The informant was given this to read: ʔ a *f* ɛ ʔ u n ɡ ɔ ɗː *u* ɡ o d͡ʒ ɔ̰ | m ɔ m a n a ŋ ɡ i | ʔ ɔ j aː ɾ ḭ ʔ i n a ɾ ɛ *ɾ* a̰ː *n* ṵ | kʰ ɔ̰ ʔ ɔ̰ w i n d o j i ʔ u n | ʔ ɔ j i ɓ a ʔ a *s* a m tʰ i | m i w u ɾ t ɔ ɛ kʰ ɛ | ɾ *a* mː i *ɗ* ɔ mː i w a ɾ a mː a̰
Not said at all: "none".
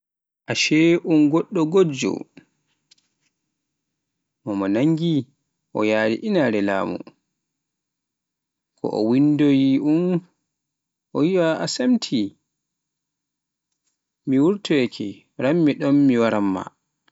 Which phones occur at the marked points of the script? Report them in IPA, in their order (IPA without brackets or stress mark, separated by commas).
ʃ, ɔ, l, m, s, a, ɗ